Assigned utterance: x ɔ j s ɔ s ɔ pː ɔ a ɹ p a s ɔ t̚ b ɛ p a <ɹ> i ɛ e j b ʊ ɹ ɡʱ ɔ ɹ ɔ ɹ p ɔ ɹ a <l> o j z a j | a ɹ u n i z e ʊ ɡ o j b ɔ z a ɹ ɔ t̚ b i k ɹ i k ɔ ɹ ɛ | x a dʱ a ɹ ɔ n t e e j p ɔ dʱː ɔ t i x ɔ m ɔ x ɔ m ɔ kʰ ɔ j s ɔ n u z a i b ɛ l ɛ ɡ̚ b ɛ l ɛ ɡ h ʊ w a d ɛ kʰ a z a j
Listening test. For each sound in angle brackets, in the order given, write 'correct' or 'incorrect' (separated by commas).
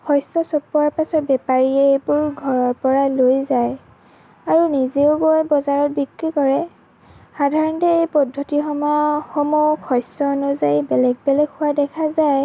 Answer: correct, correct